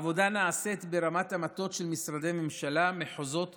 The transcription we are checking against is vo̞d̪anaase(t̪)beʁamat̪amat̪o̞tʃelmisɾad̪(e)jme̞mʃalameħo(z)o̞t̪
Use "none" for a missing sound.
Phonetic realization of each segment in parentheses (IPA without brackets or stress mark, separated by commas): t̪, e, z